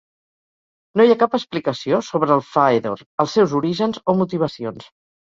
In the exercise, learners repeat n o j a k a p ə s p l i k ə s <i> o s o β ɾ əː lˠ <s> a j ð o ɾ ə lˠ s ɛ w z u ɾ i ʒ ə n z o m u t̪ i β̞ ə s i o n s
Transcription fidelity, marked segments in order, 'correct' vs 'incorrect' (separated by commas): correct, incorrect